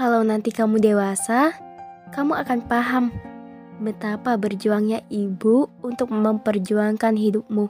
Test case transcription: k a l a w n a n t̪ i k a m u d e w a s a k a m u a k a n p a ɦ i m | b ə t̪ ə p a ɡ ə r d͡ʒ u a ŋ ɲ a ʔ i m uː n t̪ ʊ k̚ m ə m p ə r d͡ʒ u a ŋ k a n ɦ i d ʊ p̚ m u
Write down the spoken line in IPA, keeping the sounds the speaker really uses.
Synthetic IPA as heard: k a l a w n a n t̪ i k a m u d e w a s a k a m u a k a n p a ɦ a m | b ə t̪ a p a b ə r d͡ʒ u a ŋ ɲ a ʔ i b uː n t̪ ʊ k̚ m ə m p ə r d͡ʒ u a ŋ k a n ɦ i d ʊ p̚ m u